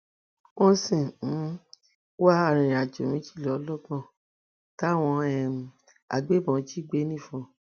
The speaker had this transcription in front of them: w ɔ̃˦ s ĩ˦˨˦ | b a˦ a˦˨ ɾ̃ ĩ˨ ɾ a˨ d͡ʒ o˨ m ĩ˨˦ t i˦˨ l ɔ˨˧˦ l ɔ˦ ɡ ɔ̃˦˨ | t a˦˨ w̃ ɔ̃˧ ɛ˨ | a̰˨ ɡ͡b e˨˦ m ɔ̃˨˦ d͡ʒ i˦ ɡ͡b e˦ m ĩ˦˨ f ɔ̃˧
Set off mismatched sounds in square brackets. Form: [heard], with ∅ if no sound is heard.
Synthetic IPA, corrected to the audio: w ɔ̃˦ s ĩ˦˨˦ | [w] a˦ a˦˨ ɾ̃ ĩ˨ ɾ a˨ d͡ʒ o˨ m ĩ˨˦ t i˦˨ l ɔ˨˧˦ l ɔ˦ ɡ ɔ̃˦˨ | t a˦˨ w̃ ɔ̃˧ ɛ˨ | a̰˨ ɡ͡b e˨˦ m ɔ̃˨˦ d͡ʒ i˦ ɡ͡b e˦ [n] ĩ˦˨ f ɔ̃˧